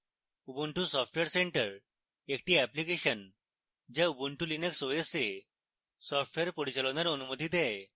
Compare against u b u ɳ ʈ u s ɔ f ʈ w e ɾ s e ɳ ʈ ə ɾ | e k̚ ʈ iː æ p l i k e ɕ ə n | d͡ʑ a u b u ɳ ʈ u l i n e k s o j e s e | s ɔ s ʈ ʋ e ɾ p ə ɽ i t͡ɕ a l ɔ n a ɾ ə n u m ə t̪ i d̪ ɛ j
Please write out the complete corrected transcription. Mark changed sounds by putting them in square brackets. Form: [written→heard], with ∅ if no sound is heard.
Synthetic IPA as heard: u b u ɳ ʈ u s ɔ f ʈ [w→ʋ] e ɾ s e ɳ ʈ ə ɾ | e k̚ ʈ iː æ p l i k e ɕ ə n | d͡ʑ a u b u ɳ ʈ u l i n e k s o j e s e | s ɔ [s→f] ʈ ʋ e ɾ p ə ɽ i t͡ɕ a l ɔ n a ɾ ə n u m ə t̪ i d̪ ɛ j